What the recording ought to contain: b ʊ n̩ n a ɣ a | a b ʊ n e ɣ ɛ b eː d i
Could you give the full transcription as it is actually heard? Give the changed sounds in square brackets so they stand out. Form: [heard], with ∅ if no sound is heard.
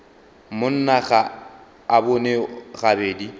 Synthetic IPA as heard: [m] ʊ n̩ n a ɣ a | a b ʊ n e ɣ [a] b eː d i